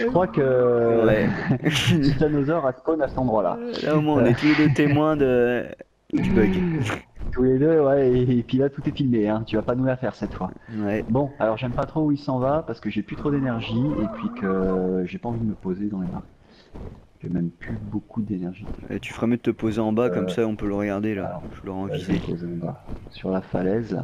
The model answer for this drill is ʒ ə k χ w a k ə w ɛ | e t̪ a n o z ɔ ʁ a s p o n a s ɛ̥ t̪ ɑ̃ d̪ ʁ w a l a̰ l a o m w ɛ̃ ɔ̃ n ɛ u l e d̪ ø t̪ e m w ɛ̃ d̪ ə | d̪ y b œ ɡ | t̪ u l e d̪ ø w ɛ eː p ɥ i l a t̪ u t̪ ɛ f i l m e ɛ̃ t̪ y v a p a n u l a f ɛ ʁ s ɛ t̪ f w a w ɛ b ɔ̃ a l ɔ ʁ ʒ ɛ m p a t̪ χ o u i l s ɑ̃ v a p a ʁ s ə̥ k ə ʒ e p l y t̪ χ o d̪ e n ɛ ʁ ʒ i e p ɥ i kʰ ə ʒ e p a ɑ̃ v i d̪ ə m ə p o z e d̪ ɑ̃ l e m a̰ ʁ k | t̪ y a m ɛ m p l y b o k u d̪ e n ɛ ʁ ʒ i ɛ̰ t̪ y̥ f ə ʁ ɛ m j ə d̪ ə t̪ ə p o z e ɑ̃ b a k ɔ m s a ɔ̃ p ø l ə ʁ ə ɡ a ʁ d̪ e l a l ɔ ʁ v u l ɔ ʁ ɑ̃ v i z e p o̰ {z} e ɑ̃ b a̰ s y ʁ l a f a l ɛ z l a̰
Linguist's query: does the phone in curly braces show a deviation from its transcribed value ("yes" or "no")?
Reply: no